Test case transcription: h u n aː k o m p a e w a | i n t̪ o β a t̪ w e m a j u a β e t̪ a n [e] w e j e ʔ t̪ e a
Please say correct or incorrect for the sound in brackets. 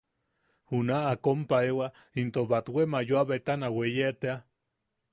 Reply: incorrect